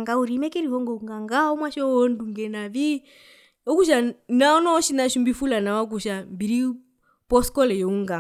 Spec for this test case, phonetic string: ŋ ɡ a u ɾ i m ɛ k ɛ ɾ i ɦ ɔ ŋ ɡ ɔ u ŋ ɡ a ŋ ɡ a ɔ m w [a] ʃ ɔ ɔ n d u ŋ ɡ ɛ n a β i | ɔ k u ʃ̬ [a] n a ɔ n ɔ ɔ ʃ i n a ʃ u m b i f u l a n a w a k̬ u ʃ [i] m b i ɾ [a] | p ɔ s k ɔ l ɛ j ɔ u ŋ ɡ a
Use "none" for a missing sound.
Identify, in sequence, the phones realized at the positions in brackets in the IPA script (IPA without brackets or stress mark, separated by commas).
a, a, a, i